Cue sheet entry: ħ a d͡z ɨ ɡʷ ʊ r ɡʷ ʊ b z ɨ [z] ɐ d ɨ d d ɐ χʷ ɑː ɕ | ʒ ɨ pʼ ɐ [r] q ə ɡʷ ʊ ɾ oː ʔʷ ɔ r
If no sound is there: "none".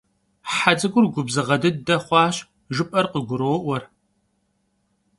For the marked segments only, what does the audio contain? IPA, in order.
ʁ, r

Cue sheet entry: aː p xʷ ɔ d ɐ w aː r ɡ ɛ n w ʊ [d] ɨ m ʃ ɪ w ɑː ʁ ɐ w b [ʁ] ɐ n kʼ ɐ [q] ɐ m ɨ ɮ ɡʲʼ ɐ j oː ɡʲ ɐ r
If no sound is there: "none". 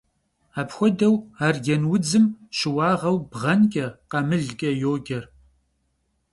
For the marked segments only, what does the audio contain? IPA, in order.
d͡z, ʁ, q

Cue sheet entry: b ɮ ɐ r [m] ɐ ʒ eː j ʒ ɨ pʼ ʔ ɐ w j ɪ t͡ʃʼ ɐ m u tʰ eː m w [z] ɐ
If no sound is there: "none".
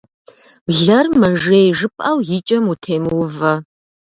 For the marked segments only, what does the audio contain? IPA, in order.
m, v

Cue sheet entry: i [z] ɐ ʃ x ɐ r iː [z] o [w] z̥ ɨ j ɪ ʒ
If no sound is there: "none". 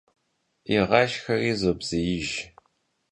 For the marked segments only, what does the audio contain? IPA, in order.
ʁ, z, b

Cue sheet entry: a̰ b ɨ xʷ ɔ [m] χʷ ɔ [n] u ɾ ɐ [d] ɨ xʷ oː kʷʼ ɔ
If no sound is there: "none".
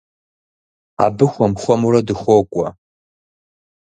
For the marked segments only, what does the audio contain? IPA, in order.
m, m, d

